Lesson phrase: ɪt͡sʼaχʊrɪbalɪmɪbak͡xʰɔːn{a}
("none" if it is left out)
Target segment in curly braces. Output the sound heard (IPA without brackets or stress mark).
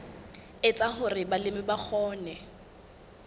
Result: ɛ